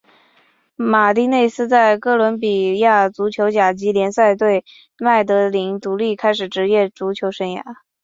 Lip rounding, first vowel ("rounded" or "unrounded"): unrounded